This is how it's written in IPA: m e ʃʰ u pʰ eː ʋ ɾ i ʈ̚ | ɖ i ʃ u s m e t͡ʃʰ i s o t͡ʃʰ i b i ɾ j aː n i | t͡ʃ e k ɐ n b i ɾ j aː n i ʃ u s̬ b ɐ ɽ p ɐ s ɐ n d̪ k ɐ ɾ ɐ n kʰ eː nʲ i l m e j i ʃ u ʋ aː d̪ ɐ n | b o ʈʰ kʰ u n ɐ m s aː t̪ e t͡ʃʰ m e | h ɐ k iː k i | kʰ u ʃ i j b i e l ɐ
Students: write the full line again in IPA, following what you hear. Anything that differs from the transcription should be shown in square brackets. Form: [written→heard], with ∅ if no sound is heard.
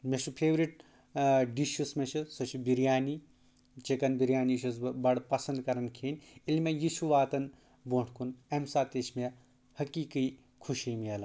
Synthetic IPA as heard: m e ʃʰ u pʰ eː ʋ ɾ i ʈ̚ | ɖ i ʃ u s m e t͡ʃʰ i s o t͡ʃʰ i b i ɾ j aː n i | t͡ʃ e k ɐ n b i ɾ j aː n i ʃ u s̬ b ɐ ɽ p ɐ s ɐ n d̪ k ɐ ɾ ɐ n kʰ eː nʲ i l m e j i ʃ u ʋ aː [d̪→t̪] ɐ n | b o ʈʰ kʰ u n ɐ m s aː t̪ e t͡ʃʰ m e | h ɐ k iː k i | kʰ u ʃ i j [b→m] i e l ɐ

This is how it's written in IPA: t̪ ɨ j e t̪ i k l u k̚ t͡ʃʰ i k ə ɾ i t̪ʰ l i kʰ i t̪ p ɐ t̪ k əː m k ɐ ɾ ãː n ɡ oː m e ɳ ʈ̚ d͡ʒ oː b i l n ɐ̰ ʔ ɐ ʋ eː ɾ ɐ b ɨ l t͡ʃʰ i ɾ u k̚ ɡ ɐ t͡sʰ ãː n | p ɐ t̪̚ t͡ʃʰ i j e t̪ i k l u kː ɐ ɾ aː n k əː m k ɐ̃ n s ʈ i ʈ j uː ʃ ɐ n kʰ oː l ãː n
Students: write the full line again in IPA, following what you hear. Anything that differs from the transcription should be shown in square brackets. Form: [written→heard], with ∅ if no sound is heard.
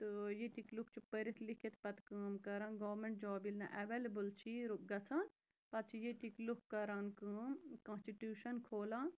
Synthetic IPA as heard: t̪ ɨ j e t̪ i k l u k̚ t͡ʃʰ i [k→p] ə ɾ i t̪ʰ l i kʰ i t̪ p ɐ t̪ k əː m k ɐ ɾ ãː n ɡ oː m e ɳ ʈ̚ d͡ʒ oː b i l n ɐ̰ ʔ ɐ ʋ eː [ɾ→l] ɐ b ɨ l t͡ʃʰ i ɾ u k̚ ɡ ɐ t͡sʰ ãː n | p ɐ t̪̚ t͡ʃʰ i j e t̪ i k l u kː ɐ ɾ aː n k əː m k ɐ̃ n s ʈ i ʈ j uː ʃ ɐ n kʰ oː l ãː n

